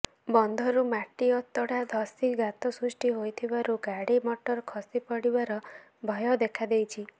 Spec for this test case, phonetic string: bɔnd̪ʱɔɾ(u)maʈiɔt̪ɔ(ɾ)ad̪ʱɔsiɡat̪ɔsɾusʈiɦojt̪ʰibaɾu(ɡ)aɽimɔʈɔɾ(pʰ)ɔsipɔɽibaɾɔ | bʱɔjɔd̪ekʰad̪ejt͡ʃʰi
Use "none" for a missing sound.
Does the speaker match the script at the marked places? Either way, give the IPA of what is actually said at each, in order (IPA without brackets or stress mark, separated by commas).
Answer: u, ɽ, ɡ, kʰ